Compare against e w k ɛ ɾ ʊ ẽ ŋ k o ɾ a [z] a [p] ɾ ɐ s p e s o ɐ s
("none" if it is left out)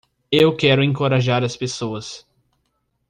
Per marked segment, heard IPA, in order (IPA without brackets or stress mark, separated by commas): ʒ, none